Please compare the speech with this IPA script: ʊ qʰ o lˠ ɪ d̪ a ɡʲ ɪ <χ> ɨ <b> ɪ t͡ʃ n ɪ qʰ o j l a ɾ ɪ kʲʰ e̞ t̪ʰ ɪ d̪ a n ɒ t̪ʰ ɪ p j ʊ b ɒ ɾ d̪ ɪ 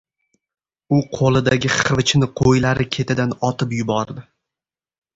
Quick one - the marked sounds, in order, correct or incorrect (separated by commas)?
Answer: correct, incorrect